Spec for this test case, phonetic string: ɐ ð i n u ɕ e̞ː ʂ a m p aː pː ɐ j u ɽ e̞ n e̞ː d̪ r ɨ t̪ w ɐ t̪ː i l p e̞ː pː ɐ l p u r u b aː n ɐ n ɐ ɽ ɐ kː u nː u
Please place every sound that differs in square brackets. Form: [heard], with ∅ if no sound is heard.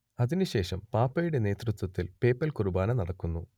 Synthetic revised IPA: ɐ ð i n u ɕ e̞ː ʂ [ɐ] m p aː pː ɐ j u ɽ e̞ n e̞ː [t̪] r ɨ t̪ w ɐ t̪ː i l p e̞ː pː ɐ l [k] u r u b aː n ɐ n ɐ ɽ ɐ kː u nː u